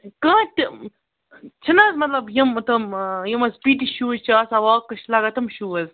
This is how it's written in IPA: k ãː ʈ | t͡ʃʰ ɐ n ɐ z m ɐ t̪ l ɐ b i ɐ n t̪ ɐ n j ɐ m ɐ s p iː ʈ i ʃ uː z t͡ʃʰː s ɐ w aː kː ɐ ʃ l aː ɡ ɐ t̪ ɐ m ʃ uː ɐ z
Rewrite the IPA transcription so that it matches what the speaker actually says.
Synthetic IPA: k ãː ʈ | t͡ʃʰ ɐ n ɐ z m ɐ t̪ l ɐ b j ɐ m t̪ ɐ m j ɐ m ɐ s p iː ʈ i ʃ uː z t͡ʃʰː s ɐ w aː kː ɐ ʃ l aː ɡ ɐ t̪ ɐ m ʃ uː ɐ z